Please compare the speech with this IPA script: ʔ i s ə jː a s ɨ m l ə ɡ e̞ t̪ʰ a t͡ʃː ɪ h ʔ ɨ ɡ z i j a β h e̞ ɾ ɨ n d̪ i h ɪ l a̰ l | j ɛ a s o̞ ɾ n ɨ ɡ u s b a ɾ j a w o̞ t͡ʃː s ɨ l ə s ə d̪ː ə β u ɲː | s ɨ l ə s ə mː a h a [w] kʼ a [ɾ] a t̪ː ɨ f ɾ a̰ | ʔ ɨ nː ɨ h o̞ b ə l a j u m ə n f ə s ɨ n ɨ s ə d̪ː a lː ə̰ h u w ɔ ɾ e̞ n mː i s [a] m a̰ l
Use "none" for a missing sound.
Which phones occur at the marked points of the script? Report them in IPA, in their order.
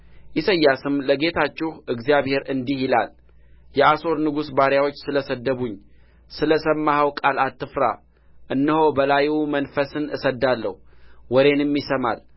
w, l, ə

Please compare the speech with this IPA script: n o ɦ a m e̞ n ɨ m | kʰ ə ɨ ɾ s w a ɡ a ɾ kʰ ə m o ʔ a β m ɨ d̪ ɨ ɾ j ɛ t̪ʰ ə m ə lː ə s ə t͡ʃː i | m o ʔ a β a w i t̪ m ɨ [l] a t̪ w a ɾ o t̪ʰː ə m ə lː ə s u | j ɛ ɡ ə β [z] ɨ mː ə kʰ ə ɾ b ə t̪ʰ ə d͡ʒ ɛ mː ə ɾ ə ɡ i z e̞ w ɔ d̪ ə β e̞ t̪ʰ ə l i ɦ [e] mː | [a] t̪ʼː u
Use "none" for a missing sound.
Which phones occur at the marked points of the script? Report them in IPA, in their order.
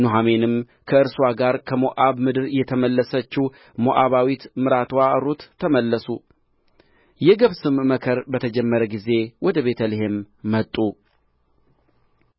ɾ, s, e, ə

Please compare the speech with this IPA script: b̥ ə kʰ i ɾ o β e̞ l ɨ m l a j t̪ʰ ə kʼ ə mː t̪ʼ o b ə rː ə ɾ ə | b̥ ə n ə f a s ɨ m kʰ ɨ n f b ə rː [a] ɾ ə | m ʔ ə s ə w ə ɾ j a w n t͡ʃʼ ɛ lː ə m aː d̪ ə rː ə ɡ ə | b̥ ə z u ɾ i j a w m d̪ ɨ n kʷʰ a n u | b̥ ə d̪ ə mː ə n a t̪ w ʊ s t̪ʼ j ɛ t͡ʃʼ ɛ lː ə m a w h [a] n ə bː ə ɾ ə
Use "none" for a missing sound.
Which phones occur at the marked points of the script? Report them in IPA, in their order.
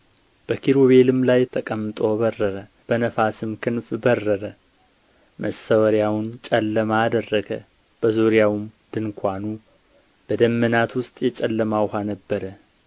ə, a

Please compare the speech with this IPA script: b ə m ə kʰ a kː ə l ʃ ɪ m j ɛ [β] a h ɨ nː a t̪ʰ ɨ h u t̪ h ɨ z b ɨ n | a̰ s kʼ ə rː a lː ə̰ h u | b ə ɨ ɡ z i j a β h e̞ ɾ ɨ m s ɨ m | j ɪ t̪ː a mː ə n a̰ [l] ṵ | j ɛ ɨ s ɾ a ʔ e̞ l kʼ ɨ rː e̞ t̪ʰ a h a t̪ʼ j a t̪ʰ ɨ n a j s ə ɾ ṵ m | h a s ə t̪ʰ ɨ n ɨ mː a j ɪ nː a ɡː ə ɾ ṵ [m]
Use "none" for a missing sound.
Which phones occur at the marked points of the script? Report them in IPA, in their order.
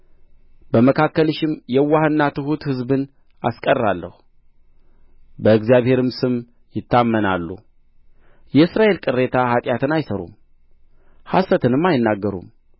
w, lː, m

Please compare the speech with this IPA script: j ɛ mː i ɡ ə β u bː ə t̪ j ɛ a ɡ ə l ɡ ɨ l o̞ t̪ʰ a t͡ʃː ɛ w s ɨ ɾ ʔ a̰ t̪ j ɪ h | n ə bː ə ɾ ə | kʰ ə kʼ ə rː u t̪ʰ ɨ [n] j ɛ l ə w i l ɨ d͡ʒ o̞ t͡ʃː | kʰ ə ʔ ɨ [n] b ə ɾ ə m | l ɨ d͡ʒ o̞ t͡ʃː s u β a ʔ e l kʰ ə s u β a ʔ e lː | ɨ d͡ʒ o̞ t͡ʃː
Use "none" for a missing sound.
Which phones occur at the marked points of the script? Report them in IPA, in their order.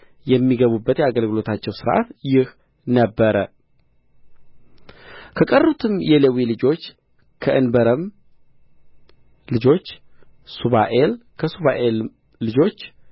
m, n

